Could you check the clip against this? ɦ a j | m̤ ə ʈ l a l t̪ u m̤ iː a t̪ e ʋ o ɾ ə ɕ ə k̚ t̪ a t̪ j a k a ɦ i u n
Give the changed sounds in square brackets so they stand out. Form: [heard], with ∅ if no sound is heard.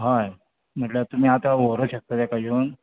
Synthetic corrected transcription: ɦ a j | m̤ ə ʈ l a [∅] t̪ u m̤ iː a t̪ [a] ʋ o ɾ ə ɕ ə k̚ t̪ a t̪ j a k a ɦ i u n